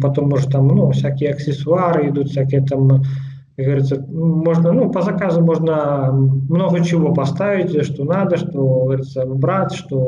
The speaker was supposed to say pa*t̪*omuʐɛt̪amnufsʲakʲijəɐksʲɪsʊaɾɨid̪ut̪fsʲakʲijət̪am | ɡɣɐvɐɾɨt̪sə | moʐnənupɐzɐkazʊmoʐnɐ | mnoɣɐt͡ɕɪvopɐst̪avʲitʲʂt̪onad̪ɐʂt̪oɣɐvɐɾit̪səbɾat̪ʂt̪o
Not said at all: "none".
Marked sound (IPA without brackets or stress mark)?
t̪